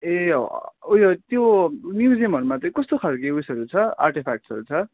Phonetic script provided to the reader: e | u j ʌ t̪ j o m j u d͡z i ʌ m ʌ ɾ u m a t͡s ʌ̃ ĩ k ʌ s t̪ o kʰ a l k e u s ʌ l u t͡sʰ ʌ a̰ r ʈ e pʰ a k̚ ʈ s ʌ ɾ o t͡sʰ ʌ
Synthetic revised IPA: e | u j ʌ t̪ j o m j u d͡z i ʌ m ʌ ɾ u m a t͡s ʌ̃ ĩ k ʌ s t̪ o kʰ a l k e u s ʌ ɾ u t͡sʰ ʌ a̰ r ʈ e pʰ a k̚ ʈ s ʌ ɾ u t͡sʰ ʌ